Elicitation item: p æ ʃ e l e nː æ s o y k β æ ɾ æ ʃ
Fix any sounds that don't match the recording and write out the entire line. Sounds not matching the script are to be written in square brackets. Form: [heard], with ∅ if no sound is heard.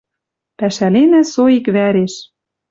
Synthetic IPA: p æ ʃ [æ] l e [n] æ s o [i] k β æ ɾ [e] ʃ